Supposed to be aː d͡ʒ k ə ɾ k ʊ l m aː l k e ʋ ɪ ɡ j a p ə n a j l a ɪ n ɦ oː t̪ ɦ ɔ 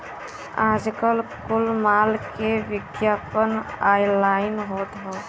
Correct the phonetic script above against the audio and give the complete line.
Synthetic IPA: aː d͡ʒ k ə l k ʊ l m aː l k e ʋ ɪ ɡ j a p ə n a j l a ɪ n ɦ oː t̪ ɦ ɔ